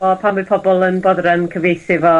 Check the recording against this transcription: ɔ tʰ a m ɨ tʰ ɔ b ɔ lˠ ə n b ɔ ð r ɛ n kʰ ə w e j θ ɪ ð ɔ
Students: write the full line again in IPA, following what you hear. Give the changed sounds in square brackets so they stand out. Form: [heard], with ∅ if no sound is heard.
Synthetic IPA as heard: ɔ [pʰ] a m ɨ [pʰ] ɔ b ɔ lˠ ə n b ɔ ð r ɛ n kʰ ə [v] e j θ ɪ [v] ɔ